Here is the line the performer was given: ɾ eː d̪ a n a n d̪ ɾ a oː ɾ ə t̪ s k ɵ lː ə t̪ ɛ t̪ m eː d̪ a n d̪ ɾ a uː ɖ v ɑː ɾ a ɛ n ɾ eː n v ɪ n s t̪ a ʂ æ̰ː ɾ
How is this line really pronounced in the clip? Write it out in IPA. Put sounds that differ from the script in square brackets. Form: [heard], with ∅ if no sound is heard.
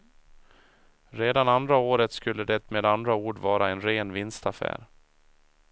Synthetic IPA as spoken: ɾ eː d̪ a n a n d̪ ɾ a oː ɾ ə t̪ s k ɵ lː ə [d̪] ɛ t̪ m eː d̪ a n d̪ ɾ a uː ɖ v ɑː ɾ a ɛ n ɾ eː n v ɪ n s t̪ a [f] æ̰ː ɾ